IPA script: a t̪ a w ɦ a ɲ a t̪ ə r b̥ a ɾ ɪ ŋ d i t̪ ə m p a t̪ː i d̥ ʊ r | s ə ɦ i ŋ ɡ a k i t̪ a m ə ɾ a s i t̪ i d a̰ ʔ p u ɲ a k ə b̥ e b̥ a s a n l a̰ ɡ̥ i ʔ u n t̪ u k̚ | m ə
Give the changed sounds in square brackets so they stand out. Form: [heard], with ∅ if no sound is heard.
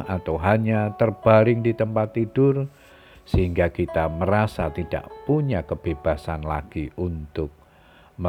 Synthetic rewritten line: a t̪ a w ɦ a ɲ a t̪ ə r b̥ a ɾ ɪ ŋ d i t̪ ə m p a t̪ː i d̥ ʊ r | s ə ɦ i ŋ ɡ a k i t̪ a m ə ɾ a s [a] t̪ i d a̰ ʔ p u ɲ a k ə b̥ e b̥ a s a n l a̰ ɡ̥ i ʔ u n t̪ [ʊ] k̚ | m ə